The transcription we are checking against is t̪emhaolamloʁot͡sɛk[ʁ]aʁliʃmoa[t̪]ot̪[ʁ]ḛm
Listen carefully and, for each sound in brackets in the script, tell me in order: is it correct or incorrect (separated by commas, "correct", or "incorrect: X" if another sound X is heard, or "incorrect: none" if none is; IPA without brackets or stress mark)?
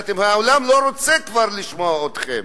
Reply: incorrect: v, incorrect: none, incorrect: χ